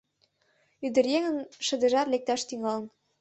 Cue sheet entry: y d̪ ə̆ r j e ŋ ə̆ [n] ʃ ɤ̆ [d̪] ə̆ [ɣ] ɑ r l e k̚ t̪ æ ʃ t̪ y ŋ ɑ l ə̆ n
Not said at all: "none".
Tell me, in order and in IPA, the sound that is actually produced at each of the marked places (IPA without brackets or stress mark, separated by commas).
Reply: n, d̪, ʒ